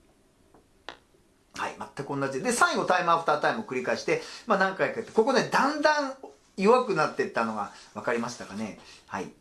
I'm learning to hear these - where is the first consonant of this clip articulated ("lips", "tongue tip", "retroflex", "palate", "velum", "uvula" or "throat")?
throat